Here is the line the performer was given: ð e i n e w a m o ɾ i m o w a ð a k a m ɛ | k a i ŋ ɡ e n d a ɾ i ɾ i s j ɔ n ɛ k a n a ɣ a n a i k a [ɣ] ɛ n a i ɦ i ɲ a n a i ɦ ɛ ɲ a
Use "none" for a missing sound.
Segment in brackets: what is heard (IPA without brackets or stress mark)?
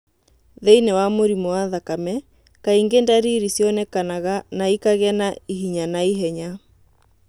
ɣ